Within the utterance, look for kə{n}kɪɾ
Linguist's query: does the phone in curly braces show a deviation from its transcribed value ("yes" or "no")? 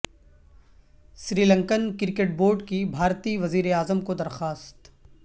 no